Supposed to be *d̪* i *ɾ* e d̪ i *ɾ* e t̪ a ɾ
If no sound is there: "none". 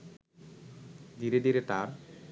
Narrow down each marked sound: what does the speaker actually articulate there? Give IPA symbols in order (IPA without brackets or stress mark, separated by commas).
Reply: d̪, ɾ, ɾ